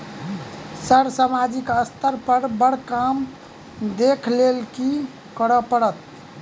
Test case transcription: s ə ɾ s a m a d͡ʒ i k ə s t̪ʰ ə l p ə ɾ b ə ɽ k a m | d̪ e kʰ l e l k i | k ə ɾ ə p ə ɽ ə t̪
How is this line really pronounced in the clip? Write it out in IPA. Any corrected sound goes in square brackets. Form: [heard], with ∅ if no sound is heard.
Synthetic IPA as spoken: s ə ɾ s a m a d͡ʒ i k ə s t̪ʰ ə [ɾ] p ə ɾ b ə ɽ k a m | d̪ e kʰ l e l k i | k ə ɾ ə p ə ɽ ə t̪